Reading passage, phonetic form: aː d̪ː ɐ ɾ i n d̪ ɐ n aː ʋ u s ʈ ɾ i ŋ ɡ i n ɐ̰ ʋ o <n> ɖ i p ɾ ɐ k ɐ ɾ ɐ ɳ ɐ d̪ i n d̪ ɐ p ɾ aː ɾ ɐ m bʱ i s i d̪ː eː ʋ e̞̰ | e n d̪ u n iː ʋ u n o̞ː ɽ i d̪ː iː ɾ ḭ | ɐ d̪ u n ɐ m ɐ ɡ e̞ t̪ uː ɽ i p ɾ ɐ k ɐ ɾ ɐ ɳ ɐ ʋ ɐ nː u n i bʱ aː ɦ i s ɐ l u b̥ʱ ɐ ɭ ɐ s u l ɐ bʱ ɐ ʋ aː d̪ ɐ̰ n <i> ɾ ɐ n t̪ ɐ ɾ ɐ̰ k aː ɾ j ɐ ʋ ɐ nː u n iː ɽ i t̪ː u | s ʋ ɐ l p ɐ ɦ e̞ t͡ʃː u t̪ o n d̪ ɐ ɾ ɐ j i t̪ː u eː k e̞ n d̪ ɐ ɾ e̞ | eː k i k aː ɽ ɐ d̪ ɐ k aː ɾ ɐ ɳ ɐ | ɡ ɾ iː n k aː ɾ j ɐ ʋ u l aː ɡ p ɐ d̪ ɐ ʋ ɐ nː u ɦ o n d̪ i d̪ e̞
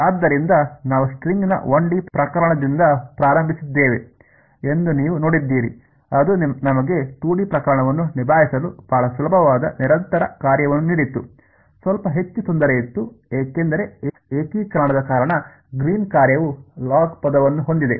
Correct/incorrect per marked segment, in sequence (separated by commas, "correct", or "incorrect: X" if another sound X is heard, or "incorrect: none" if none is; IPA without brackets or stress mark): incorrect: ɳ, correct